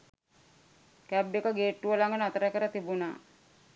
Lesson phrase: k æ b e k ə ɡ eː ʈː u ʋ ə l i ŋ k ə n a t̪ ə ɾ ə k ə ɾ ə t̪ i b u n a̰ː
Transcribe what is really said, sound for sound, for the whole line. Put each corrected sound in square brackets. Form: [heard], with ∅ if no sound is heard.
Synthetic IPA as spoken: k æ b e k ə ɡ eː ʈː u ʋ ə l [a] ŋ [ɡ] ə n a t̪ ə ɾ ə k ə ɾ ə t̪ i b u n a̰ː

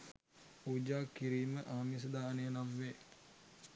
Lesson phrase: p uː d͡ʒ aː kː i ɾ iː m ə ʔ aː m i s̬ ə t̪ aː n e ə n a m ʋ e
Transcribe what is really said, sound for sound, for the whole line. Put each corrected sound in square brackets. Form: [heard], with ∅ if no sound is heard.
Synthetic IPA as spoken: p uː d͡ʒ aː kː i ɾ iː m ə ʔ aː m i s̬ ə [d̪] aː n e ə n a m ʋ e

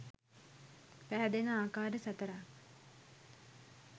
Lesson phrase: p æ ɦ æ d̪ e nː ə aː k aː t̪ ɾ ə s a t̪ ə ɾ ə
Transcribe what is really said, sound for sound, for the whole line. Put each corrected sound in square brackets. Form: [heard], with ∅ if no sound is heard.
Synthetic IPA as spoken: p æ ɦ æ d̪ e [n] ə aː k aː [∅] ɾ ə s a t̪ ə ɾ [a]

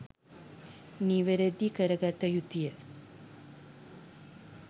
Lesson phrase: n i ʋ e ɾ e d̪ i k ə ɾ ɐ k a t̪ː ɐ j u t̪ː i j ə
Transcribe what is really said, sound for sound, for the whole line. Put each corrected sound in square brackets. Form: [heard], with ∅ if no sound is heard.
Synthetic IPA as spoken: n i ʋ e ɾ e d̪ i k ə ɾ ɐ [ɡ] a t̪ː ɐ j u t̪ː i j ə

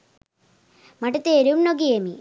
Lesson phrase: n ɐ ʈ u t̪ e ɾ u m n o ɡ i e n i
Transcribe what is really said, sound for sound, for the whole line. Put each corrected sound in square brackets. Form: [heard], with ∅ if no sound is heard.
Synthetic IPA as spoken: [m] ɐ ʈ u t̪ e ɾ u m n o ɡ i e [m] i

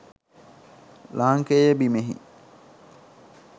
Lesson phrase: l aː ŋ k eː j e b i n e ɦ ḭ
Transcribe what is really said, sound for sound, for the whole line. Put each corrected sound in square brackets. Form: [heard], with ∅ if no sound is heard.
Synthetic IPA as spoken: l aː ŋ k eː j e b i [m] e ɦ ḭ

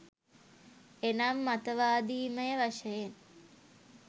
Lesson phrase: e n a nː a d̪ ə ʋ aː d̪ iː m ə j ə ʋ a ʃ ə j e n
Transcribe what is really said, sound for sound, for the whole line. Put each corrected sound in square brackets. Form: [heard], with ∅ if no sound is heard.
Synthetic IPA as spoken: e n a [mː] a [t̪] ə ʋ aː d̪ iː m ə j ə ʋ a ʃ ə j e n

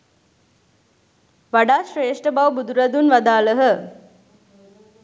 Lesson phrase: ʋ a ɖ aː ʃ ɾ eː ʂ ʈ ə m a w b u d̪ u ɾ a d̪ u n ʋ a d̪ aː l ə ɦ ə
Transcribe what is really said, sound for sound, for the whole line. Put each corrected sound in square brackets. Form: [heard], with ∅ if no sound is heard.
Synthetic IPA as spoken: ʋ a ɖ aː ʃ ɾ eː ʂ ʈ ə [b] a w b u d̪ u ɾ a d̪ u n ʋ a d̪ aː l ə ɦ ə

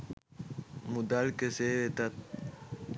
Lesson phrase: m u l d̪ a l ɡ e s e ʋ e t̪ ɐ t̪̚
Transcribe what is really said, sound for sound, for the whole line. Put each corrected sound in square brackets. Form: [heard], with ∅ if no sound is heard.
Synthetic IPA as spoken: m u [∅] d̪ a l [k] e s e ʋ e t̪ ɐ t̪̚

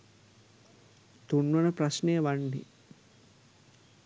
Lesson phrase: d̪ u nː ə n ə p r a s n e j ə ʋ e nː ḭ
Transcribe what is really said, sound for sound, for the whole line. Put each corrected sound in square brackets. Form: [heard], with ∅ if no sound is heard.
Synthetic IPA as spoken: [t̪] u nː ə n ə p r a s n e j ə ʋ [a] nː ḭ

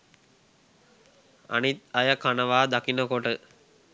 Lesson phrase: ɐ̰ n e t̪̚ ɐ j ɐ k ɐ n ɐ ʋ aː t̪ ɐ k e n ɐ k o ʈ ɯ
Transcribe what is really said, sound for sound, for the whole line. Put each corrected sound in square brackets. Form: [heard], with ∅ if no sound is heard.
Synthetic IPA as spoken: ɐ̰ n [i] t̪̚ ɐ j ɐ k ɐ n ɐ ʋ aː [d̪] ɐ k [i] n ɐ k o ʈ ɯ

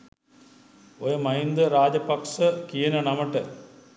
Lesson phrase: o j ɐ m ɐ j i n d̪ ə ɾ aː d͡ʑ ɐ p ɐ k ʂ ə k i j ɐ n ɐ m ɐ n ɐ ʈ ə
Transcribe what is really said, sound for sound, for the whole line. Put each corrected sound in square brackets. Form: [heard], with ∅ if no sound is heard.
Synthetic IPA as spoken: o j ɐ m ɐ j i n d̪ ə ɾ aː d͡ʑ ɐ p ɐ k ʂ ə k i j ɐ n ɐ [n] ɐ [m] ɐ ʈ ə

